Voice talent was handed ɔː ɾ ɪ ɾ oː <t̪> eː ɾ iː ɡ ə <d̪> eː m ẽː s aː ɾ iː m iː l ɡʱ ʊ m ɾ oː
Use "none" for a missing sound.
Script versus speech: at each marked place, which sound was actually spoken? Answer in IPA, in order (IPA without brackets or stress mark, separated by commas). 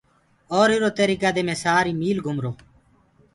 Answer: t̪, d̪